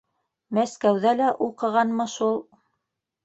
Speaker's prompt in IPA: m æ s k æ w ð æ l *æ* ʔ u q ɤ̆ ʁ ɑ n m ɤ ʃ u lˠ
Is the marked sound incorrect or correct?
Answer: correct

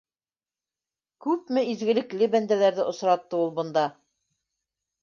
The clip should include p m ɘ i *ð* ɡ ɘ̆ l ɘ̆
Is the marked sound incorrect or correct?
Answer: incorrect: z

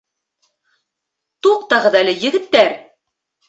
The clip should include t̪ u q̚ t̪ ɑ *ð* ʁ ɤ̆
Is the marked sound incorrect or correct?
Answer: incorrect: none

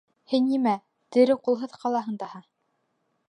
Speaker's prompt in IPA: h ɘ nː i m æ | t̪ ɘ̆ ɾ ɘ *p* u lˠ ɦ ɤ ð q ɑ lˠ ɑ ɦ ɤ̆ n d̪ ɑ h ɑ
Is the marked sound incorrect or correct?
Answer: incorrect: q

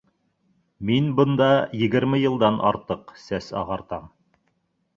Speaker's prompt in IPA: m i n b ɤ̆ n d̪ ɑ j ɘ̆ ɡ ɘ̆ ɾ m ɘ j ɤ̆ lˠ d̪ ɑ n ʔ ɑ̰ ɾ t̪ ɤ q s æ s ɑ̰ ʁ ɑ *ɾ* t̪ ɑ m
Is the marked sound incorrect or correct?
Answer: correct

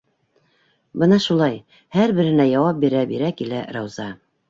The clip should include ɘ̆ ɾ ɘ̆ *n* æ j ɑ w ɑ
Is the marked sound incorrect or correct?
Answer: correct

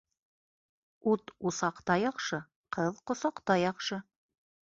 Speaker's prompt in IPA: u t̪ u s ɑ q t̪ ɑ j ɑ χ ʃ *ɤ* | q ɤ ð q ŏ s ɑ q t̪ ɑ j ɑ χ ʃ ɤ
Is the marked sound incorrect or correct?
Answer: correct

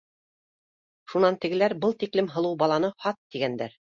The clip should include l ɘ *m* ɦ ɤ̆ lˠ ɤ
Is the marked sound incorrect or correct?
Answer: correct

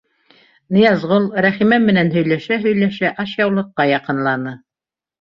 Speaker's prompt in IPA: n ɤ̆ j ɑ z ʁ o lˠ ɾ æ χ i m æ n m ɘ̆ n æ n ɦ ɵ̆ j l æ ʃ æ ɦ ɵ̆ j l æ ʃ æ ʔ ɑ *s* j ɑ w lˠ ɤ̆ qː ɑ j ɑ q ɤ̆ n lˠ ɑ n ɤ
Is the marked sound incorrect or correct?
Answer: incorrect: ʃ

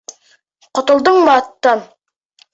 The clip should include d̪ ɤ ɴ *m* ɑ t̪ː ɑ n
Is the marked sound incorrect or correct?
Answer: correct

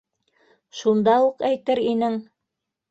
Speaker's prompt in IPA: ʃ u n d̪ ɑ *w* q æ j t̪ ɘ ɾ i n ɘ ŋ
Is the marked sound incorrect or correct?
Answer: incorrect: u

